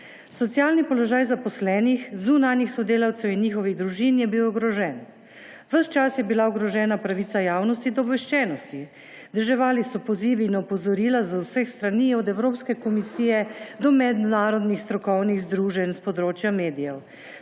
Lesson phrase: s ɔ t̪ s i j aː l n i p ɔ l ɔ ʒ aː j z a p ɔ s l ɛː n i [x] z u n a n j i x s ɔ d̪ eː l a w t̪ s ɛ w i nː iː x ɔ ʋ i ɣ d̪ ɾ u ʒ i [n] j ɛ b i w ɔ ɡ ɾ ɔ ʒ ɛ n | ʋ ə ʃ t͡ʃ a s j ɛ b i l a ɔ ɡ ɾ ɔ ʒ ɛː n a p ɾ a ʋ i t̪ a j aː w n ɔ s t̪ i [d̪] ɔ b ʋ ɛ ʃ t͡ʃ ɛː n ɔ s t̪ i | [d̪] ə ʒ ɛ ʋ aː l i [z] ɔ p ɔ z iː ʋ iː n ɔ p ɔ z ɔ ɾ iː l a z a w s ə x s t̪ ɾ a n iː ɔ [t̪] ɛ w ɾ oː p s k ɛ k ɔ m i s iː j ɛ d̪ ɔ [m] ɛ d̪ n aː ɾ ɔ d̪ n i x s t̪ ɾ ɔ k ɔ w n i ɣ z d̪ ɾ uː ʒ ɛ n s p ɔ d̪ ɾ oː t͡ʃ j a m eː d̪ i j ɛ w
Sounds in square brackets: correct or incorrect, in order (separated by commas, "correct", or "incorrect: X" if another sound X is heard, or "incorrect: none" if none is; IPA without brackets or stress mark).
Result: correct, correct, correct, correct, incorrect: s, incorrect: d̪, correct